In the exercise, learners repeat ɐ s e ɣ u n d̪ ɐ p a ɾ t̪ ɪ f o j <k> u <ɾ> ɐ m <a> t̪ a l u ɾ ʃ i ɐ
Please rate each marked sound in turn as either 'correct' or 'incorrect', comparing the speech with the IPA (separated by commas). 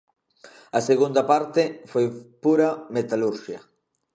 incorrect, correct, incorrect